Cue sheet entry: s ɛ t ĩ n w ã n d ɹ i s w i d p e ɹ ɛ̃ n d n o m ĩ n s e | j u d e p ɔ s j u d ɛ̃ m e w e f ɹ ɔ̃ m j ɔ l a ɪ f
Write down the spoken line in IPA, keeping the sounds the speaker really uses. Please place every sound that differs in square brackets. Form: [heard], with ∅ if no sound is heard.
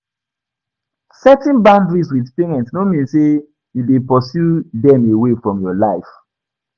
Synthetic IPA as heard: s ɛ t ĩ n [b] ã n d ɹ i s w i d p e ɹ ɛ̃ n [t] n o m ĩ n s e | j u d e p ɔ s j u d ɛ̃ m e w e f ɹ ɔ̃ m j ɔ l a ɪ f